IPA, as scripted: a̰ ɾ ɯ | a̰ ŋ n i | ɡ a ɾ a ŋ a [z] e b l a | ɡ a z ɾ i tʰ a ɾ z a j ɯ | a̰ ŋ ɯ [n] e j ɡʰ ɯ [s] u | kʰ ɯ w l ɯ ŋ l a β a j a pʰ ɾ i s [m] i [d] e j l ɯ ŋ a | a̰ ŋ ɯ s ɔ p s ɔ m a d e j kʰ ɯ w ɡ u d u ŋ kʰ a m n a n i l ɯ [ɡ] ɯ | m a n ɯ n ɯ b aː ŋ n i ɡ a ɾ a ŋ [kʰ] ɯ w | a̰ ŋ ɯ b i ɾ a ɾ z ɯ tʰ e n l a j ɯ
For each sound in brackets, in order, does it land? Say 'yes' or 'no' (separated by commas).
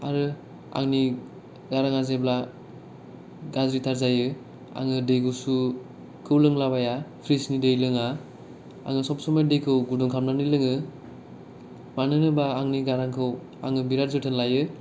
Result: yes, no, yes, no, yes, no, yes